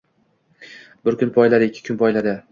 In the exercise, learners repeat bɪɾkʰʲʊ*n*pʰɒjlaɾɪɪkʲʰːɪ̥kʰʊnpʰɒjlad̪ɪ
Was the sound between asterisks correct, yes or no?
yes